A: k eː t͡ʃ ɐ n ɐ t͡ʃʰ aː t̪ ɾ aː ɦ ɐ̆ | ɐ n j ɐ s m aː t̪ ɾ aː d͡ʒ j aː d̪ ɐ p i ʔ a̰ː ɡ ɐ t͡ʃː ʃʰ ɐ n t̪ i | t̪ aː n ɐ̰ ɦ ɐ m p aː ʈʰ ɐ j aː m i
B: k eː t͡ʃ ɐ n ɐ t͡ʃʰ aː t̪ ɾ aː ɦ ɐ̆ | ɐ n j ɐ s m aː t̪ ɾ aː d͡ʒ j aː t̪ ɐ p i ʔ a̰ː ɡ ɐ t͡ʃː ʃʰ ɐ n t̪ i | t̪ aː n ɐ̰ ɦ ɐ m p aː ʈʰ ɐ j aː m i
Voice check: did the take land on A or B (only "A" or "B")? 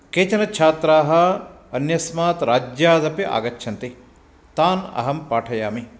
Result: A